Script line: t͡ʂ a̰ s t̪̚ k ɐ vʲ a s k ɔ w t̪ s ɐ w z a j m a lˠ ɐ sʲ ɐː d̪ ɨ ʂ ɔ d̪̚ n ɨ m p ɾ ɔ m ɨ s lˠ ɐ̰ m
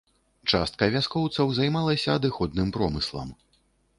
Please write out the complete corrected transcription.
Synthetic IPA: t͡ʂ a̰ s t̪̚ k ɐ vʲ a s k ɔ w t̪ s ɐ w z a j m a lˠ ɐ sʲ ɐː d̪ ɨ x ɔ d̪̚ n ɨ m p ɾ ɔ m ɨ s lˠ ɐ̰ m